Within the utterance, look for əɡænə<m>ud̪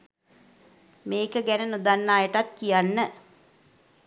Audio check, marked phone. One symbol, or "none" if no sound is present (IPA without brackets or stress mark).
n